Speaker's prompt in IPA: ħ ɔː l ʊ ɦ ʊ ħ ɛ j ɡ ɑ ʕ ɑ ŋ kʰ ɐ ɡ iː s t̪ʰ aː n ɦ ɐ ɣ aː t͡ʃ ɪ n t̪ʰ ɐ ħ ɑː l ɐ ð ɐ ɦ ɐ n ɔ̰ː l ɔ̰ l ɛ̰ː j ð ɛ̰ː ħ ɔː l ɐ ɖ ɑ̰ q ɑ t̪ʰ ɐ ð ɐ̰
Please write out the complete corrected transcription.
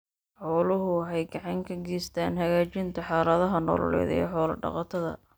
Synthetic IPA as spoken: ħ ɔː l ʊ ɦ ʊ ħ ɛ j ɡ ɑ ʕ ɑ ŋ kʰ ɐ ɡ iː s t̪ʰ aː n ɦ ɐ ɣ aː t͡ʃ ɪ n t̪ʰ ɐ ħ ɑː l ɐ ð ɐ ɦ ɐ n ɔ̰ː l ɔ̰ l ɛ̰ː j ð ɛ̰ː ħ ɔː l ɐ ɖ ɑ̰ q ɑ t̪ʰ ɐ ð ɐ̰